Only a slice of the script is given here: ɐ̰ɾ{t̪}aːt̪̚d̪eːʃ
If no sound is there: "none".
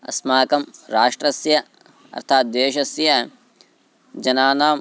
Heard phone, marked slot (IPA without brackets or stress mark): t̪ʰ